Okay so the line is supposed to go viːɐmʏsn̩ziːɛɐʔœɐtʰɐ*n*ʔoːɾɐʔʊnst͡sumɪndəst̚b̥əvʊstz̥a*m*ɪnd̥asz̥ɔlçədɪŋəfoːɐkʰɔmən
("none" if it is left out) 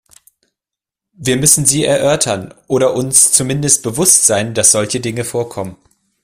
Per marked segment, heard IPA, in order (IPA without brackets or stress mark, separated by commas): n, none